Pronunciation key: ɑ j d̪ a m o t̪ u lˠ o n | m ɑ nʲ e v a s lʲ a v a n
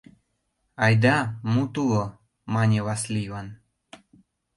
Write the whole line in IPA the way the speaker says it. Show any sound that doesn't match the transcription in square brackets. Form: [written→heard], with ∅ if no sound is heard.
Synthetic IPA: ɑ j d̪ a m [o→u] t̪ u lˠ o [n→∅] | m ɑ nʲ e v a s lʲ [a→i] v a n